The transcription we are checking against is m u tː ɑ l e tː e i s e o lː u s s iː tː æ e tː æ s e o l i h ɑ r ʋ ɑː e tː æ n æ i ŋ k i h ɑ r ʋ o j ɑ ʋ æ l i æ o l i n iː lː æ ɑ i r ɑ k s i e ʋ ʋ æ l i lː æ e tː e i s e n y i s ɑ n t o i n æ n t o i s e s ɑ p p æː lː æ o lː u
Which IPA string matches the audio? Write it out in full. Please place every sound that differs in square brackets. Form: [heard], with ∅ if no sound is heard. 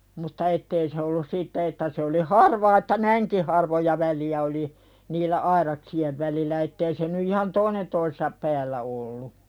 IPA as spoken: m u tː ɑ [∅] e tː e i s e o lː u s s iː tː æ e tː æ s e o l i h ɑ r ʋ ɑː e tː æ n æ i ŋ k i h ɑ r ʋ o j ɑ ʋ æ l i æ o l i n iː lː æ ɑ i r ɑ k s i e ʋ ʋ æ l i lː æ e tː e i s e n y i [h] ɑ n t o i n [e] n t o i s e s ɑ p p æː lː æ o lː u